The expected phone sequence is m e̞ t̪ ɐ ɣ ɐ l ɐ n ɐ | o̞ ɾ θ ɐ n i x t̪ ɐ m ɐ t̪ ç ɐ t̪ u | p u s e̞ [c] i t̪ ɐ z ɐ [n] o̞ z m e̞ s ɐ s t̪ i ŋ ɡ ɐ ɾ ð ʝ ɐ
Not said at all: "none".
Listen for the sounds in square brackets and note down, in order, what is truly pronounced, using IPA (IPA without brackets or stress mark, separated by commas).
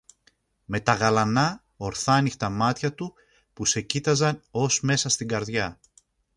c, n